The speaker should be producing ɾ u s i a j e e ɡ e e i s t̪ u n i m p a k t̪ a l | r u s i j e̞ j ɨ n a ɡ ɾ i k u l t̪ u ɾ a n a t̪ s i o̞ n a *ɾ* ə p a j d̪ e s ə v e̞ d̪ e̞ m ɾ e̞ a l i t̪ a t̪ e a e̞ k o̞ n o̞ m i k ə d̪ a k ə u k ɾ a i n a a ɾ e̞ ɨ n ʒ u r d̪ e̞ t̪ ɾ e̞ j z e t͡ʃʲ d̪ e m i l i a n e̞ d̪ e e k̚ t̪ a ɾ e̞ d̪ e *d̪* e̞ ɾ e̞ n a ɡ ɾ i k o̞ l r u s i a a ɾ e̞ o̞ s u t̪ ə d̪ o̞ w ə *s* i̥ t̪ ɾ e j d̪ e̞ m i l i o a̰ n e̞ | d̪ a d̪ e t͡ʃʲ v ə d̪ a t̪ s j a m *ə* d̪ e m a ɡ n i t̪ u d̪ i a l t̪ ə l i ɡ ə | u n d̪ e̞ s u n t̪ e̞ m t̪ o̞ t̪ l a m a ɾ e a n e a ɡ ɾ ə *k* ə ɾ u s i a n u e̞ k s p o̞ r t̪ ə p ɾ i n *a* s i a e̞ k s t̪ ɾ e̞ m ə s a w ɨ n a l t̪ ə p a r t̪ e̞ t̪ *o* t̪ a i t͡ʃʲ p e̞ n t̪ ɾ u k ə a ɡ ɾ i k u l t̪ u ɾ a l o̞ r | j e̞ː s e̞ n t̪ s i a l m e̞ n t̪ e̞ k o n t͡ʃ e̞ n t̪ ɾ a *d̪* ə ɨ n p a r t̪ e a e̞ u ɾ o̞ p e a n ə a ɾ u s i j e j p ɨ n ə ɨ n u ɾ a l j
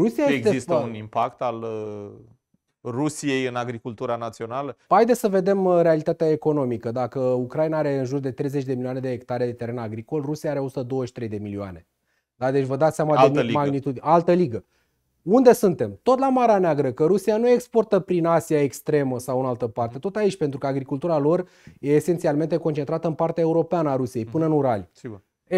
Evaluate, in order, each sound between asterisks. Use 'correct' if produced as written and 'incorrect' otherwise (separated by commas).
incorrect, incorrect, incorrect, incorrect, correct, correct, correct, incorrect